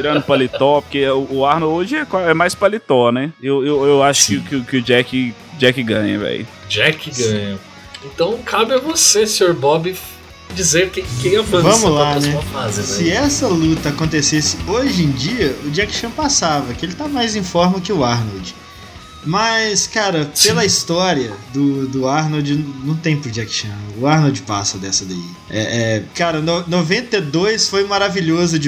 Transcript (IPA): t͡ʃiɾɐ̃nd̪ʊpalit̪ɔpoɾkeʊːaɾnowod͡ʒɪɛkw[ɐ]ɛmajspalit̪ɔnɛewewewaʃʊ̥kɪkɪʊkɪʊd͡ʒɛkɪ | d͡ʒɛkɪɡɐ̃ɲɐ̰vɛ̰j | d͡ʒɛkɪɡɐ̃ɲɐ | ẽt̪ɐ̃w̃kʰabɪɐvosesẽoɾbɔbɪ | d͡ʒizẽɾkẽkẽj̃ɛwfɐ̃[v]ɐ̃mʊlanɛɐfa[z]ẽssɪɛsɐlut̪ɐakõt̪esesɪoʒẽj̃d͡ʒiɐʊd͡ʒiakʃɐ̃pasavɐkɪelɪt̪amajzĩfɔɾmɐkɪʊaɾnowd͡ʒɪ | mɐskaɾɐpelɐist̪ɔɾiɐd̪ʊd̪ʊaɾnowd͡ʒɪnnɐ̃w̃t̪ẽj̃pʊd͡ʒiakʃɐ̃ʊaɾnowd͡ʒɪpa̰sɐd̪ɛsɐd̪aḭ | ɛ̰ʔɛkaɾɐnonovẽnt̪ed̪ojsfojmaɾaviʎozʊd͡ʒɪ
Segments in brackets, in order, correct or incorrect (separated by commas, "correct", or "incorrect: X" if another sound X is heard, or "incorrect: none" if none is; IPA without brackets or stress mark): incorrect: a, correct, correct